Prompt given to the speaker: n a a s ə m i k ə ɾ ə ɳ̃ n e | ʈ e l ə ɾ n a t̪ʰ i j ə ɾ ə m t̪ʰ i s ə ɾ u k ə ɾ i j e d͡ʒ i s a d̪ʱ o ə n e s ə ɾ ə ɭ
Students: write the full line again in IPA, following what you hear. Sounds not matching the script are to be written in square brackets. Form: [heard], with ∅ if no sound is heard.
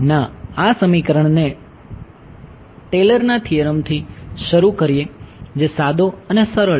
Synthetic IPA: n a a s ə m i k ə ɾ ə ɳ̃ n e | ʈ e l ə ɾ n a t̪ʰ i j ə ɾ ə m t̪ʰ i [ʃ] ə ɾ u k ə ɾ i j e d͡ʒ [e] s a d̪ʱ o ə n e s ə ɾ ə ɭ